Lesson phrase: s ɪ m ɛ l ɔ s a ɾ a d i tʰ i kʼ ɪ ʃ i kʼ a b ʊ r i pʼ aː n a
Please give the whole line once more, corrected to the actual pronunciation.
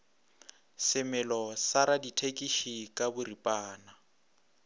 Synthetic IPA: s ɪ m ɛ l ɔ s a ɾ a d i tʰ e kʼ i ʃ i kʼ a b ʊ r i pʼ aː n a

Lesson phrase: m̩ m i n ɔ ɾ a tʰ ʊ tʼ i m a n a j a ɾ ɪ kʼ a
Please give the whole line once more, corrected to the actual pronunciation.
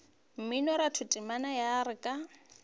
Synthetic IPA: m̩ m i n ɔ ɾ a tʰ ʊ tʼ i m a n a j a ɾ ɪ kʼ a

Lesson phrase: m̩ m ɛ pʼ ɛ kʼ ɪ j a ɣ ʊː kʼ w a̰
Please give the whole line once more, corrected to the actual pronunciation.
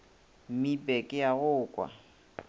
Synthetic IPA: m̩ m i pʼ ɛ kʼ ɪ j a ɣ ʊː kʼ w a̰

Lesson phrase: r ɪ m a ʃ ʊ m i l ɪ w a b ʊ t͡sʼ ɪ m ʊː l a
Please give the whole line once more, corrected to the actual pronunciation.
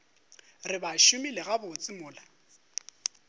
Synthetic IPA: r ɪ b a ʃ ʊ m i l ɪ ɣ a b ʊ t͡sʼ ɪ m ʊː l a

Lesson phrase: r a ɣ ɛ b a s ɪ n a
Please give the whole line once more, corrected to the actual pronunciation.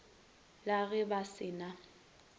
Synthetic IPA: l a ɣ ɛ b a s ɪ n a

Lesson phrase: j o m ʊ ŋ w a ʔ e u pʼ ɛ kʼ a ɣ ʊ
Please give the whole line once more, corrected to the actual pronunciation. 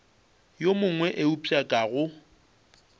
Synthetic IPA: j o m ʊ ŋ w ɛ ʔ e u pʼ a kʼ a ɣ ʊ

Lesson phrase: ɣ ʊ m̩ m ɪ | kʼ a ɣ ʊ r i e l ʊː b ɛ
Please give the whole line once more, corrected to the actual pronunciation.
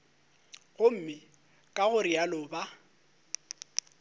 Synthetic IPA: ɣ ʊ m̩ m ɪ | kʼ a ɣ ʊ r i a l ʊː b a

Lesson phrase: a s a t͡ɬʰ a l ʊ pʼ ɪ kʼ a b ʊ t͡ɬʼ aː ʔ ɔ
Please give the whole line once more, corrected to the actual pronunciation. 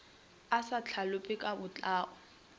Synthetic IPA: a s a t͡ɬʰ a l ʊ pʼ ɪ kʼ a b ʊ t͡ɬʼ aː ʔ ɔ

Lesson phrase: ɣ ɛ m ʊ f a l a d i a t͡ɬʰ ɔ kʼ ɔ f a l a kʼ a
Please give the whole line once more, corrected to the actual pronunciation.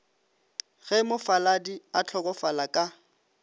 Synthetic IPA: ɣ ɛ m ʊ f a l a d i a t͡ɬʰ ɔ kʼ ɔ f a l a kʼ a

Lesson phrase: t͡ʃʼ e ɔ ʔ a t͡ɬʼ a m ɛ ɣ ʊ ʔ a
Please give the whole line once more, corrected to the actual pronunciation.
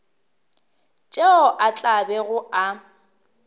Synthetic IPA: t͡ʃʼ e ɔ ʔ a t͡ɬʼ a b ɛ ɣ ʊ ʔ a

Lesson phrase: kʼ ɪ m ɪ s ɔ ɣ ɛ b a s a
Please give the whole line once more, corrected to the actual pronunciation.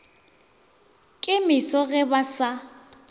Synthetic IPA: kʼ ɪ m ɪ s ɔ ɣ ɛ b a s a

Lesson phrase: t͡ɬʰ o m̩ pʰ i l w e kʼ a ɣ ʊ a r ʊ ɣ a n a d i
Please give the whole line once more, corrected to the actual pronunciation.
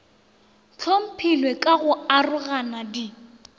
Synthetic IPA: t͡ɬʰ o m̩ pʰ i l w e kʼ a ɣ ʊ a r ʊ ɣ a n a d i

